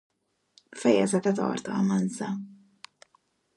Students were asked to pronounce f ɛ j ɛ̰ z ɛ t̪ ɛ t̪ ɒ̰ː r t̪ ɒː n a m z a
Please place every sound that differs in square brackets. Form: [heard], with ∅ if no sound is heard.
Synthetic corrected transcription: f ɛ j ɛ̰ z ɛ t̪ ɛ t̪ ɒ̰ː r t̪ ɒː [m] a [n] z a